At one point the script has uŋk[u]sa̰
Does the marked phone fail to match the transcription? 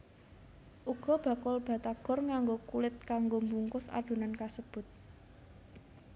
yes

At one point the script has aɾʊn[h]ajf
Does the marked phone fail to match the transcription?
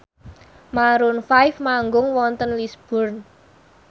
yes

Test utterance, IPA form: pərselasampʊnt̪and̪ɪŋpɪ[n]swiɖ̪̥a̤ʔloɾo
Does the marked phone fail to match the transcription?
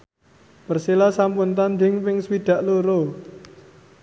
yes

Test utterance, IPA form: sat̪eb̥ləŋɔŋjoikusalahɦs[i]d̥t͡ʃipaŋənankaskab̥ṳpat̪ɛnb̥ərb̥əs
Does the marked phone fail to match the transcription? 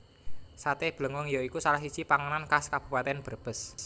no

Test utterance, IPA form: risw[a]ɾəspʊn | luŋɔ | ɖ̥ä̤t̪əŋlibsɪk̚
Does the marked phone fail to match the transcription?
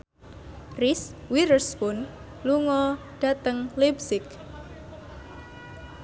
yes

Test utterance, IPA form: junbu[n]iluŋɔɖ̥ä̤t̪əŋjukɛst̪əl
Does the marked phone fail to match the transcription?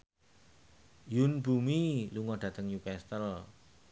yes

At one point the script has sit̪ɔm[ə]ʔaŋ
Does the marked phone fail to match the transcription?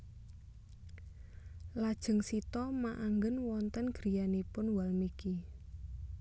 yes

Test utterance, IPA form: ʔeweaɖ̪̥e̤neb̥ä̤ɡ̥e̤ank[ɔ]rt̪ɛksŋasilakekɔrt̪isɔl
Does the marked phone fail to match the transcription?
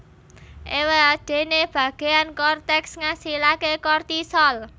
no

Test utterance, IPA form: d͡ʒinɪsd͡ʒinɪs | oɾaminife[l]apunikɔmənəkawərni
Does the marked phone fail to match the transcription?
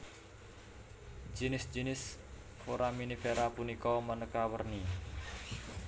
yes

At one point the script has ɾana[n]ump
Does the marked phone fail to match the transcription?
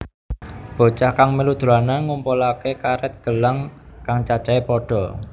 yes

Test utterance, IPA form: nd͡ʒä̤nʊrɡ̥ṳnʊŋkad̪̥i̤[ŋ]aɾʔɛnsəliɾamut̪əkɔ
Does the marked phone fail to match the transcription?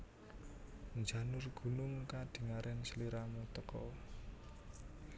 no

